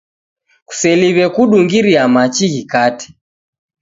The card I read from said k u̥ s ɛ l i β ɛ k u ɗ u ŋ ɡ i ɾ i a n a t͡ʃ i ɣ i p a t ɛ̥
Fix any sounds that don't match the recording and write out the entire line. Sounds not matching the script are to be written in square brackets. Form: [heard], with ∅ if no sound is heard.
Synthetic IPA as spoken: k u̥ s ɛ l i β ɛ k u ɗ u ŋ ɡ i ɾ i a [m] a t͡ʃ i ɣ i [k] a t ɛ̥